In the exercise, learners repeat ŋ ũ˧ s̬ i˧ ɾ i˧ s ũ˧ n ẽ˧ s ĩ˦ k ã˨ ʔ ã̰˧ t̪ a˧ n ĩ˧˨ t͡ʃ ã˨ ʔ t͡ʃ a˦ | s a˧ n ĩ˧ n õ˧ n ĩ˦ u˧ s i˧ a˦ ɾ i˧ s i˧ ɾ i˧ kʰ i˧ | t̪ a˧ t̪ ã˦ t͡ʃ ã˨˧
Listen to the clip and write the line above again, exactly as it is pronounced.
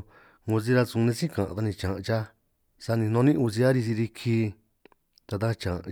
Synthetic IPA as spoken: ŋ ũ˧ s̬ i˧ ɾ a˧ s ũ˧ n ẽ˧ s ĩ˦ k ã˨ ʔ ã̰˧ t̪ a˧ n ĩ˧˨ t͡ʃ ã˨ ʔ t͡ʃ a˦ | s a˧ n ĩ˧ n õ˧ n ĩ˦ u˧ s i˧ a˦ ɾ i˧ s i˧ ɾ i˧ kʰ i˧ | t̪ a˧ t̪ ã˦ t͡ʃ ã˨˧